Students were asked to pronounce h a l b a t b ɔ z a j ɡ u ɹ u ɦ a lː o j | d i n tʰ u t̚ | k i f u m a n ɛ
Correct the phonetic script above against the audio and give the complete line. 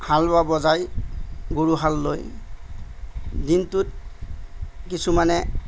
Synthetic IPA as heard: h a l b a b ɔ z a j ɡ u ɹ u ɦ a lː o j | d i n t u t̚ | k i s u m a n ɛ